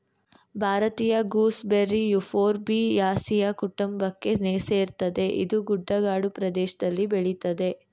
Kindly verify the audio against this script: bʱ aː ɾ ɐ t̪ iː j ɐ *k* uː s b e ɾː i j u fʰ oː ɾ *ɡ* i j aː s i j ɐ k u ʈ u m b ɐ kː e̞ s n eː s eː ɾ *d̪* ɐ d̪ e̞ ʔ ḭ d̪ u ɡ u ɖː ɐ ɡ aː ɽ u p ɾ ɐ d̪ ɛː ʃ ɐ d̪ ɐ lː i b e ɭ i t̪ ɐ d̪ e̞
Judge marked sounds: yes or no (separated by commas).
no, no, no